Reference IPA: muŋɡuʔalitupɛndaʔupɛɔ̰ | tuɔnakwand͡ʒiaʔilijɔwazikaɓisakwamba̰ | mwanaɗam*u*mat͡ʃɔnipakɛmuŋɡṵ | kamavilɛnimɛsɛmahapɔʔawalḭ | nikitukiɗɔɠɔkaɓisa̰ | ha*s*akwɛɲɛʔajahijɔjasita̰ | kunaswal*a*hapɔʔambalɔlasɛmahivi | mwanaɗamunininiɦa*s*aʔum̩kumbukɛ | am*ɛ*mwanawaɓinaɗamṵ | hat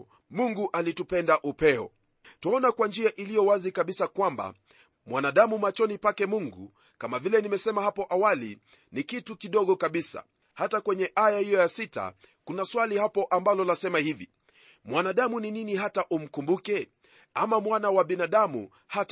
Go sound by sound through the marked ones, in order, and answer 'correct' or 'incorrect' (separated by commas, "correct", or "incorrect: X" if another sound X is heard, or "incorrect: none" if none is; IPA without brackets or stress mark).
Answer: correct, incorrect: t, incorrect: i, incorrect: t, incorrect: a